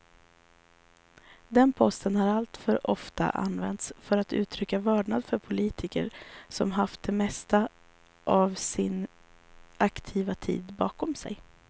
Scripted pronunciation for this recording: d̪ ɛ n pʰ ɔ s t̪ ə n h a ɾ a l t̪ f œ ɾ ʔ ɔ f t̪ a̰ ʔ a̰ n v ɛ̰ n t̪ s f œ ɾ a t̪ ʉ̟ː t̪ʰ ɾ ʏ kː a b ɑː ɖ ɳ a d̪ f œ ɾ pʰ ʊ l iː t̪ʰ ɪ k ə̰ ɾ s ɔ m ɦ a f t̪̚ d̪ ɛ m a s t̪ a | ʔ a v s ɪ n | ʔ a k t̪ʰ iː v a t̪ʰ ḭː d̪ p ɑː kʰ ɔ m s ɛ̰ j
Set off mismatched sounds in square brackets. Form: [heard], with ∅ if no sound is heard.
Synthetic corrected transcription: d̪ ɛ n pʰ ɔ s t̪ ə n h a ɾ a l t̪ f œ ɾ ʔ ɔ f t̪ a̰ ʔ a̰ n v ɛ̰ n t̪ s f œ ɾ a t̪ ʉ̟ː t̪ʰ ɾ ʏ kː a [v] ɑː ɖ ɳ a d̪ f œ ɾ pʰ ʊ l iː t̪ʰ ɪ k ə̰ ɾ s ɔ m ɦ a f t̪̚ d̪ ɛ m [ɛ] s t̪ a | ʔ a v s ɪ n | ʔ a k t̪ʰ iː v a t̪ʰ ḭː d̪ [b] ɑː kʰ ɔ m s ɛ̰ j